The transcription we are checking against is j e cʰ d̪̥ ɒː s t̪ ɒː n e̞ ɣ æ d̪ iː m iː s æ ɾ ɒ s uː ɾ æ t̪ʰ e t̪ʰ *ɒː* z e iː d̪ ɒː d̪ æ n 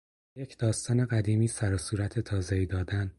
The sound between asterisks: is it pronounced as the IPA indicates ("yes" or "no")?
yes